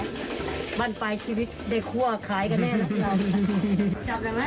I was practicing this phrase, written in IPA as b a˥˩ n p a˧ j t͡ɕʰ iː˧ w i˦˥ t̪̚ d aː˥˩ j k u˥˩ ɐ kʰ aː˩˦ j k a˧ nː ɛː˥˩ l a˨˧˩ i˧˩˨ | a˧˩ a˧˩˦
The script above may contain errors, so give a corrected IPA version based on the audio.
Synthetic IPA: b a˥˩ n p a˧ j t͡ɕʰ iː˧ w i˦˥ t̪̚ d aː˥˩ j kʰ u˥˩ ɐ kʰ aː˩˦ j k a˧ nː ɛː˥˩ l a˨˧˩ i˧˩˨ | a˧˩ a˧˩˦